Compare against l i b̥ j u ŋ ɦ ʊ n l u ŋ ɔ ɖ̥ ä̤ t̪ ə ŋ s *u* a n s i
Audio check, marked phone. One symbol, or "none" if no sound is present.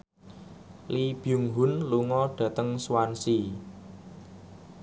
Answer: w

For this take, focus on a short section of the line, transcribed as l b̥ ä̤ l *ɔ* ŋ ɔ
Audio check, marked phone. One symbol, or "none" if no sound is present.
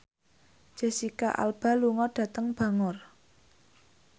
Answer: u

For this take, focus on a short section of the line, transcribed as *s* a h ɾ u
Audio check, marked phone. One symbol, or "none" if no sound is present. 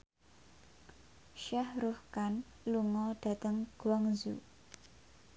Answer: ʃ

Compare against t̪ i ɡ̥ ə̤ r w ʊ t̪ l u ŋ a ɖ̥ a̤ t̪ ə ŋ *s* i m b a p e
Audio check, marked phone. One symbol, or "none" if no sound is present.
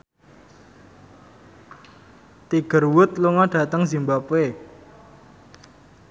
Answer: z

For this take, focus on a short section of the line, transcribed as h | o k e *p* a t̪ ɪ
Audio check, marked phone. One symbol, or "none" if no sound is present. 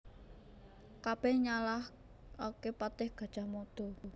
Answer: p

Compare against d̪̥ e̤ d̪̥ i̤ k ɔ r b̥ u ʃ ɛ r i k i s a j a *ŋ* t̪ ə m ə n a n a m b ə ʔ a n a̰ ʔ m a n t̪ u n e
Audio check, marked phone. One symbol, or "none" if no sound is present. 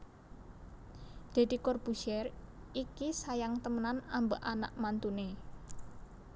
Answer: ŋ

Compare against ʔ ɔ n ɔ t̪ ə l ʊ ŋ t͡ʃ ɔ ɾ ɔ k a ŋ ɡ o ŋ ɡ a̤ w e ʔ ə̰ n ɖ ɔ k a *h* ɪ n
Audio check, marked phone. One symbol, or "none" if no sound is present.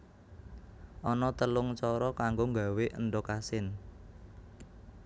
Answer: s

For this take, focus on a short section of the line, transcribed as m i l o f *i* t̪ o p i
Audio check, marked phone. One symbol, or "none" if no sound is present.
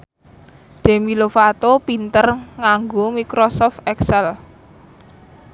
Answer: a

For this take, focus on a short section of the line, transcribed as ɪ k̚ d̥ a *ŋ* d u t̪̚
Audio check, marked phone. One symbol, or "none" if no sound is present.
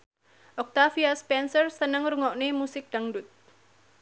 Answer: ŋ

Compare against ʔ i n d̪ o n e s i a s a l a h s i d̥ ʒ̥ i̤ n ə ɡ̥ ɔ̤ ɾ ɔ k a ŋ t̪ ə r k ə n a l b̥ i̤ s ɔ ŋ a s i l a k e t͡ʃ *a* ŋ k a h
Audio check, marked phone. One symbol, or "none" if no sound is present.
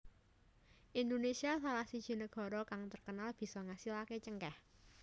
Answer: ə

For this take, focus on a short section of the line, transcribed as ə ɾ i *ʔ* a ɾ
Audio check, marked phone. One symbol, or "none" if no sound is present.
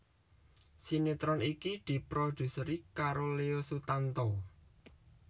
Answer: k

